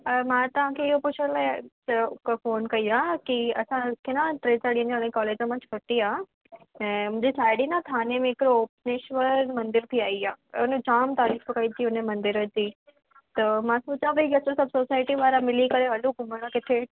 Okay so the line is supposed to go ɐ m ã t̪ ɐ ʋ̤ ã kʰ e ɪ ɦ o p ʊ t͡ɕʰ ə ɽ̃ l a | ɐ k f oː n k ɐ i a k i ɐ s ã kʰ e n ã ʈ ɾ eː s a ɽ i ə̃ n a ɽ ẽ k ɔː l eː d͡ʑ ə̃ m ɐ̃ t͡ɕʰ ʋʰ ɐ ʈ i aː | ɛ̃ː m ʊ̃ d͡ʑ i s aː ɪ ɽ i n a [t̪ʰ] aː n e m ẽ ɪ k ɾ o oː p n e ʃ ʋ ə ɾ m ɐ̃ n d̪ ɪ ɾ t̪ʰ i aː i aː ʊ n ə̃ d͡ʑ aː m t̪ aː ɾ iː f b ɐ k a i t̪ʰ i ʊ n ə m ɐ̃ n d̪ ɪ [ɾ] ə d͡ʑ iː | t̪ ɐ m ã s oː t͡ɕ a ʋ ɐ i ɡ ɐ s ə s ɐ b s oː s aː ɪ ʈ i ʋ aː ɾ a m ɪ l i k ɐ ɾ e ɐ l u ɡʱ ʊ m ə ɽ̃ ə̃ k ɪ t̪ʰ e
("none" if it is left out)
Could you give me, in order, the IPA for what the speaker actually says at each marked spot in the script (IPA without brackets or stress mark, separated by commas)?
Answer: t̪ʰ, ɾ